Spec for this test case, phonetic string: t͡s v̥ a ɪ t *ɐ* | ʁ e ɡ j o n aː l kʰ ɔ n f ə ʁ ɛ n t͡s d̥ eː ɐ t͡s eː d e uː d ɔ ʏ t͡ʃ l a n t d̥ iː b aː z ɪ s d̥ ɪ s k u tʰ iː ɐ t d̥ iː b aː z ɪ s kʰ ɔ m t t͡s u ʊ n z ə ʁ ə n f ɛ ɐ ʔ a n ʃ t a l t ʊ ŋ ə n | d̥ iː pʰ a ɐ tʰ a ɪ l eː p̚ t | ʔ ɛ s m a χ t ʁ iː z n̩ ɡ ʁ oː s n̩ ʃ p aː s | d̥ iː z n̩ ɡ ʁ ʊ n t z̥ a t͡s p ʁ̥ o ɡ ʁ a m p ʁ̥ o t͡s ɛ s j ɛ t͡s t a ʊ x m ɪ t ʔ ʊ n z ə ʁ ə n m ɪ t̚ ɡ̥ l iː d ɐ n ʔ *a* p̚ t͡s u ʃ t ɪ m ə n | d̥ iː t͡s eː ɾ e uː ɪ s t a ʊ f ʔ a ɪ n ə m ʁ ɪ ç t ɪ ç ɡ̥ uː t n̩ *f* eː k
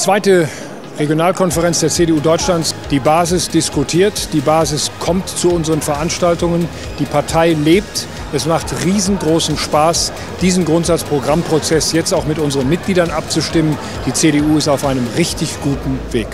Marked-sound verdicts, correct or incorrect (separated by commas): incorrect, correct, incorrect